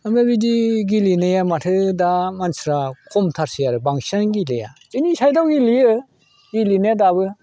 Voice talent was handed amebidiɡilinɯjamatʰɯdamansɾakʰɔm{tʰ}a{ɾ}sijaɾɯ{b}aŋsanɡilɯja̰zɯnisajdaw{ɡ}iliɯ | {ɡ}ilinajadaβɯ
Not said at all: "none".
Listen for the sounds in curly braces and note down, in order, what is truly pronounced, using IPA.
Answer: tʰ, ɾ, b, ɡ, ɡ

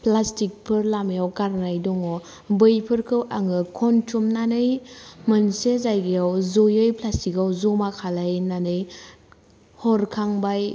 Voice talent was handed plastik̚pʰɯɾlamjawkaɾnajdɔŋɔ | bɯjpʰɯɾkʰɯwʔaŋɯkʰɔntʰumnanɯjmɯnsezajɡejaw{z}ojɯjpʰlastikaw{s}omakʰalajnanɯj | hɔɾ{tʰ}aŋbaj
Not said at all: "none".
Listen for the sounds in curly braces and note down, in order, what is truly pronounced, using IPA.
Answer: z, z, kʰ

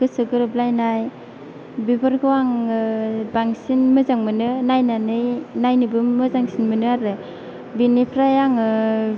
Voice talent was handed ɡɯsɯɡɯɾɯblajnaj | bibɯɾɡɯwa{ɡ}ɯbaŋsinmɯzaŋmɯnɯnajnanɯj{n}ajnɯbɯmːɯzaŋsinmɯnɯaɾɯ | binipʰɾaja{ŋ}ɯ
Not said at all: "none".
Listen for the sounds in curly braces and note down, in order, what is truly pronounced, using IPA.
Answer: ŋ, n, ŋ

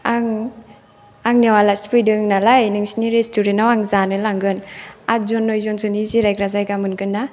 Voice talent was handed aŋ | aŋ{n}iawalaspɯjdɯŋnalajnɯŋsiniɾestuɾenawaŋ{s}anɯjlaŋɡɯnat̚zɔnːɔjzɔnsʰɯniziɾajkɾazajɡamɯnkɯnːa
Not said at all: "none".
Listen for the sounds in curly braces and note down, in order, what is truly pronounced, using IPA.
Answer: n, z

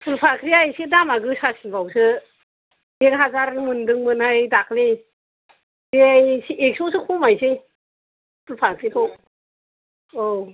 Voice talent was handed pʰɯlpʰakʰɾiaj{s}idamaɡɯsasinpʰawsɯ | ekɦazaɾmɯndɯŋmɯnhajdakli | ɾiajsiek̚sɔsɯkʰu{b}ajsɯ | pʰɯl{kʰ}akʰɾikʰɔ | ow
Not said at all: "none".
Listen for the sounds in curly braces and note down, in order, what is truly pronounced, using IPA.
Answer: s, m, pʰ

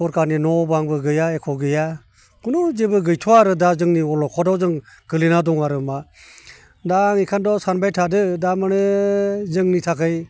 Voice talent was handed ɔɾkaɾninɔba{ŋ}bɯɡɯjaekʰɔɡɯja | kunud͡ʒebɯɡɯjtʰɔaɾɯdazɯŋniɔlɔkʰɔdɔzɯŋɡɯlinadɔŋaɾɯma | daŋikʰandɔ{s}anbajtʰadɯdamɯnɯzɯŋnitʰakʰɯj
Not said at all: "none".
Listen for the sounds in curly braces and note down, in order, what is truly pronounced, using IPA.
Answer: ŋ, s

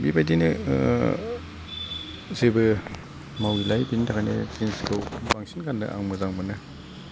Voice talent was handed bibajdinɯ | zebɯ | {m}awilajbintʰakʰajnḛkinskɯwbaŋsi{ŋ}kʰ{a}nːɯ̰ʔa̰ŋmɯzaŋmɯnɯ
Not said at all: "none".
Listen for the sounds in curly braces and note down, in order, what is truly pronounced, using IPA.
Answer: m, n, a

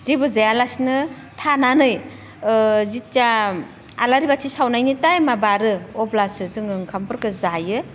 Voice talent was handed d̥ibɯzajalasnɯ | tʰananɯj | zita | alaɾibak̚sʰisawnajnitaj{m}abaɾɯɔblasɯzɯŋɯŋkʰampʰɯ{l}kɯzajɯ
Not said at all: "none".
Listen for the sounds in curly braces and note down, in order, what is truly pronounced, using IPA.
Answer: m, ɾ

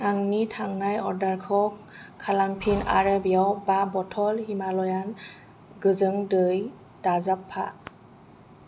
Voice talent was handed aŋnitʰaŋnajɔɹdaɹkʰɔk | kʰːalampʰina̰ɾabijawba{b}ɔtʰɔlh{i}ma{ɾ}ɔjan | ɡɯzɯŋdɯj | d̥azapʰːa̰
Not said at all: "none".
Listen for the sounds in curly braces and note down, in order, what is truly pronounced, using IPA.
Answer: b, i, l

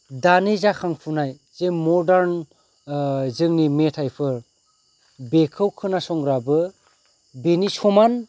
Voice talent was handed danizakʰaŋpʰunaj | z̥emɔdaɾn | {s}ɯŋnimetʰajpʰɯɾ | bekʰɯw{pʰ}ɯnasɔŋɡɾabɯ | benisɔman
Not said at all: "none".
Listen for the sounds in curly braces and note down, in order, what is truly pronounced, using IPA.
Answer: z, kʰ

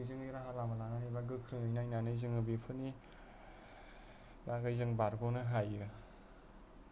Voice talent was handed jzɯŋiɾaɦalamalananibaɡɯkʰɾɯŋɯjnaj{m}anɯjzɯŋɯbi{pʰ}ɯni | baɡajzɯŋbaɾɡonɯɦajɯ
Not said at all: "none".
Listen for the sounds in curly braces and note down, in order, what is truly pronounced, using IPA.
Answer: n, pʰ

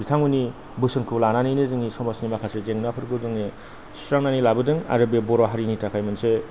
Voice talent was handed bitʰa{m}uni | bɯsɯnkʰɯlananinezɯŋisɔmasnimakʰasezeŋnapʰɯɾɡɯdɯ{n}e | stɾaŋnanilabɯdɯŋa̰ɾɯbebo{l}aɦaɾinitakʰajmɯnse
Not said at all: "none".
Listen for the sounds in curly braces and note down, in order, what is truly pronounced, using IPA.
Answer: ŋ, ŋ, ɾ

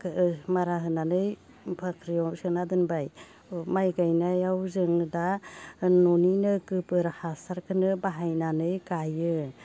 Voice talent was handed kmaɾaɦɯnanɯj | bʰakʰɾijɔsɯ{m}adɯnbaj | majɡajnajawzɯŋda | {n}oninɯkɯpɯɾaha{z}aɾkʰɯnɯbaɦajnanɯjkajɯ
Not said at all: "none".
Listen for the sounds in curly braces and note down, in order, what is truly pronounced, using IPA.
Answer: n, n, s

